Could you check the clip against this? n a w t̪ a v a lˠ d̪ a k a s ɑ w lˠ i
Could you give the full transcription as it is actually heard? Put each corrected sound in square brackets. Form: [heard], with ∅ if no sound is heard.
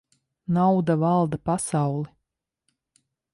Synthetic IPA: n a w [d̪] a v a lˠ d̪ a [p] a s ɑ w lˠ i